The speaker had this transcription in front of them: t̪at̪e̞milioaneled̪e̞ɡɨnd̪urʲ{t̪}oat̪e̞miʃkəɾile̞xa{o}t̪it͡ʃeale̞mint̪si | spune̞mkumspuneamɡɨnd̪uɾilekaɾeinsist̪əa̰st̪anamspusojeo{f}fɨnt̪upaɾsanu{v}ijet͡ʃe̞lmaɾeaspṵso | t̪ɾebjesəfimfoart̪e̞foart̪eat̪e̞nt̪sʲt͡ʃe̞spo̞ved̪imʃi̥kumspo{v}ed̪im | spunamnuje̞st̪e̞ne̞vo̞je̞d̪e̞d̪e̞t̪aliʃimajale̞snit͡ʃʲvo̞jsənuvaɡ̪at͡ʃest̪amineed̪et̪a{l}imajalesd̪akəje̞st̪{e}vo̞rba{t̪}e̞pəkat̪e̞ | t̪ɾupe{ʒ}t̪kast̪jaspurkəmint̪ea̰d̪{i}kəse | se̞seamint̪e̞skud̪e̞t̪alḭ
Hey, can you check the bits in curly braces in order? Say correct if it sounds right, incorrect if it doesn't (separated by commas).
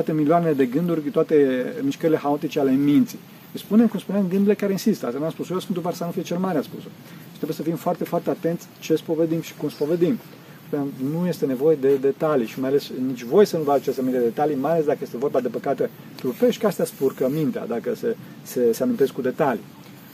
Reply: correct, correct, incorrect, incorrect, correct, correct, correct, incorrect, incorrect, incorrect